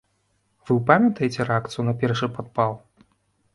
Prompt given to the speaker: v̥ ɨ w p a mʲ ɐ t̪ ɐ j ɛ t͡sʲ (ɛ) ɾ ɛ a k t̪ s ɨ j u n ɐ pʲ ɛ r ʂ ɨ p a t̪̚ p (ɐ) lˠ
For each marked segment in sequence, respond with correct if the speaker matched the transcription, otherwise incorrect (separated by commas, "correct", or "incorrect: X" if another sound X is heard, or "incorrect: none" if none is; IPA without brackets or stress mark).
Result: correct, incorrect: a